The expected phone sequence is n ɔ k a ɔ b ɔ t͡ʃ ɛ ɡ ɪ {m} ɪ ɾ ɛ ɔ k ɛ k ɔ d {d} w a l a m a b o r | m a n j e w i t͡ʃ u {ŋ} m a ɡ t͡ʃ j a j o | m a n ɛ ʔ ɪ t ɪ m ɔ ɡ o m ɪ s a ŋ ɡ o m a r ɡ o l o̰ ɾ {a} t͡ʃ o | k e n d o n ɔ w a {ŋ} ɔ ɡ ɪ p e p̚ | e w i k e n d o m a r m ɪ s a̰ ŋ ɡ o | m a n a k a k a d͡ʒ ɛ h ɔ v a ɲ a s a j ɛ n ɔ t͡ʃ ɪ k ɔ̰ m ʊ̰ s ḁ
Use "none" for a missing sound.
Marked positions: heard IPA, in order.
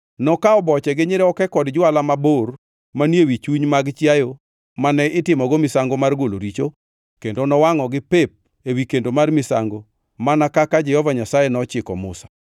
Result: ɲ, d͡ʒ, ɲ, i, ŋ

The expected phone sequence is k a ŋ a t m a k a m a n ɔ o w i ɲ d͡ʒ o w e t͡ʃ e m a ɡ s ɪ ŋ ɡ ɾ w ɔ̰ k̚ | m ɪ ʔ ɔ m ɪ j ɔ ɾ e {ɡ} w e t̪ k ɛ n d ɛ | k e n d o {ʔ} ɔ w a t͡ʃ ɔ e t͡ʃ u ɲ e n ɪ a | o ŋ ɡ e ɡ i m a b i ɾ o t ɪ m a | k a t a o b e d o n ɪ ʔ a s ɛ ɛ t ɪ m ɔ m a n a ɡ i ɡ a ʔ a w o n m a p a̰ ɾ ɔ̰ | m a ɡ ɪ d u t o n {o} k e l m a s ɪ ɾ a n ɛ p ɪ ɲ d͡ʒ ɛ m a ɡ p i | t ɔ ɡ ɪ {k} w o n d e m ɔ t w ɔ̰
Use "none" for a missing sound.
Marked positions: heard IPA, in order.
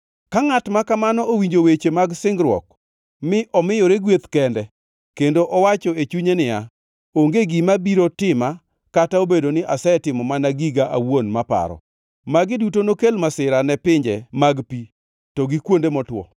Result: ɡ, ʔ, o, k

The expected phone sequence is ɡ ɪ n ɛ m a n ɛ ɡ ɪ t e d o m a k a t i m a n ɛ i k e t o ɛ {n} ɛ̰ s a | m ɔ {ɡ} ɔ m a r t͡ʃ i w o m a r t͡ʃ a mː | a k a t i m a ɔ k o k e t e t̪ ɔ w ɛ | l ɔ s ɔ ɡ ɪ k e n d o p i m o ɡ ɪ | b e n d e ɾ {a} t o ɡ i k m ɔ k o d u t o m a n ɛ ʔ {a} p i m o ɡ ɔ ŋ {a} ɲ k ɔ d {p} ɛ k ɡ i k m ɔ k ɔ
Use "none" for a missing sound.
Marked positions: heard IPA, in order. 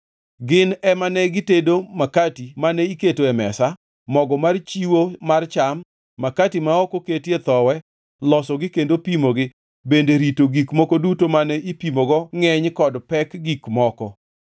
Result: m, ɡ, i, i, ɛ, p

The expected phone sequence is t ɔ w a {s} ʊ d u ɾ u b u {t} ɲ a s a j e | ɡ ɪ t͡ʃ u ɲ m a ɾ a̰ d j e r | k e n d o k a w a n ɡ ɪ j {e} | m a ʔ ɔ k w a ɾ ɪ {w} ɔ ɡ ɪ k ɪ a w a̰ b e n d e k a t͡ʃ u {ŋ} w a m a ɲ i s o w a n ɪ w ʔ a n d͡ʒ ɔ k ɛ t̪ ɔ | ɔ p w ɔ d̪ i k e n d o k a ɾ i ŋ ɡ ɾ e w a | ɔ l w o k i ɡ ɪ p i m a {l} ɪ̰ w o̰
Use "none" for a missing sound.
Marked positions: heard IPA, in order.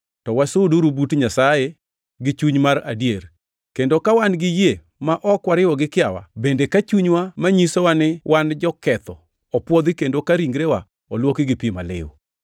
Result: s, t, e, w, ɲ, l

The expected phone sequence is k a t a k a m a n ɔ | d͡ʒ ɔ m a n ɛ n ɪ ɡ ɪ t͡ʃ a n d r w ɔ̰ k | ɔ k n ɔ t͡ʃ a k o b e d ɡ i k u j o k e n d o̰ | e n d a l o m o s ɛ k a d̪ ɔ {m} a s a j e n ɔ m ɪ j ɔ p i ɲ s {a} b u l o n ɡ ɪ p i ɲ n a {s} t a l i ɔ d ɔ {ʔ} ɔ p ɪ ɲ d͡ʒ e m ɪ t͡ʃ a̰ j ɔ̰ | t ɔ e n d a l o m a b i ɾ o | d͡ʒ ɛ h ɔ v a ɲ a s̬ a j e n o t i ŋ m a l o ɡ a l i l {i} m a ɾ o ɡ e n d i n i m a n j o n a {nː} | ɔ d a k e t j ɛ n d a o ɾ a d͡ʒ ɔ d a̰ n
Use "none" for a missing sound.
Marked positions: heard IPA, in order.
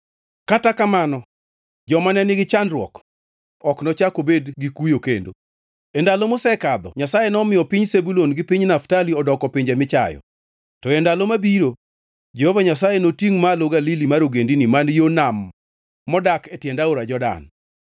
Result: ɲ, e, f, k, i, mː

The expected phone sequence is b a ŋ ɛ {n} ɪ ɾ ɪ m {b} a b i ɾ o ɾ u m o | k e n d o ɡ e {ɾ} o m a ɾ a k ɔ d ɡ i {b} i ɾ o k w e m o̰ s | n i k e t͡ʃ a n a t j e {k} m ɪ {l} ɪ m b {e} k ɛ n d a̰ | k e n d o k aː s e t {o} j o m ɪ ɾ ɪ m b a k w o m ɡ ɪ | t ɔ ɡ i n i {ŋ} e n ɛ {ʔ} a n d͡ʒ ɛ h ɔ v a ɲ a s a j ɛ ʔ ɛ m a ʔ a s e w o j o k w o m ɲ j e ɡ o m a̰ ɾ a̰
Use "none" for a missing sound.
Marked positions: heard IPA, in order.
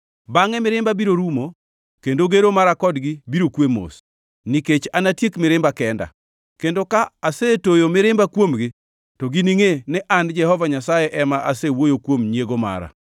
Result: m, b, ɾ, b, k, ɾ, a, o, ŋ, ʔ

